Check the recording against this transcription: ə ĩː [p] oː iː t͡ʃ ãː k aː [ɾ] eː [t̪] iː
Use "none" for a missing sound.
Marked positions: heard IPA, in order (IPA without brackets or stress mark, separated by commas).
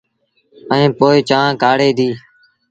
p, ɽ, d̪